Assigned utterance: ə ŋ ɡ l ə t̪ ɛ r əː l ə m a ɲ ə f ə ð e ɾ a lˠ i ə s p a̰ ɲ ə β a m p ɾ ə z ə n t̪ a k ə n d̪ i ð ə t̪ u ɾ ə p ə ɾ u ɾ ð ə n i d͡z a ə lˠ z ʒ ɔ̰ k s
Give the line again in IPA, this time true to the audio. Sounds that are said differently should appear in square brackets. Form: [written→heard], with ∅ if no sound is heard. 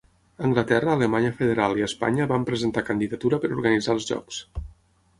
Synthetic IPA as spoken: ə ŋ ɡ l ə t̪ ɛ r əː l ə m a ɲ ə f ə ð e ɾ a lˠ i ə s p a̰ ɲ ə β a m p ɾ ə z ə n t̪ a k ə n d̪ i ð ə t̪ u ɾ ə p ə ɾ u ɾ [ð→ɣ] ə n i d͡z a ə lˠ z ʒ ɔ̰ k s